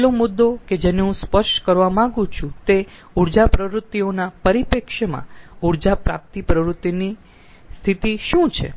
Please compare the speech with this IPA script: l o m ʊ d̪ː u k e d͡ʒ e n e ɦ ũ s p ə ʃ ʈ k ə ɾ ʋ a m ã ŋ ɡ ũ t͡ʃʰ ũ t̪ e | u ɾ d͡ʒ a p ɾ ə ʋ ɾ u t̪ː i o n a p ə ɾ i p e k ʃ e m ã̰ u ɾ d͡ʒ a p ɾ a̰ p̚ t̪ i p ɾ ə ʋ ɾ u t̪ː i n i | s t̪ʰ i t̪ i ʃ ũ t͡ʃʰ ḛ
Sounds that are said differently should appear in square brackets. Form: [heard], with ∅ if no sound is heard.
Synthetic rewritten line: l o m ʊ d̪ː [o] k e d͡ʒ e n e ɦ ũ s p ə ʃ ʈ k ə ɾ ʋ a m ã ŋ ɡ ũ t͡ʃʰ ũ t̪ e | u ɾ d͡ʒ a p ɾ ə ʋ ɾ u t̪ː i o n a p ə ɾ i p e k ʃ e m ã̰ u ɾ d͡ʒ a p ɾ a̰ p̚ t̪ i p ɾ ə ʋ ɾ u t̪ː i n i | s t̪ʰ i t̪ i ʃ ũ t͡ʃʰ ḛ

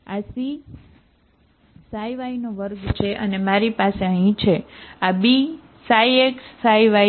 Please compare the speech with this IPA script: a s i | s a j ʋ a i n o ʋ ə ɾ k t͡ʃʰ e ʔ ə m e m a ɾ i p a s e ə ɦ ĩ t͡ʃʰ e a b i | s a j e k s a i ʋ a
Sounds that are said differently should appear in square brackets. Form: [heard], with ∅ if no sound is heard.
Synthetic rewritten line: a s i | s a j ʋ a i n o ʋ ə ɾ [ɡ] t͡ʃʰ e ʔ ə [n] e m a ɾ i p a s e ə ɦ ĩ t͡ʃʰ e a b i | s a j e k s a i ʋ a

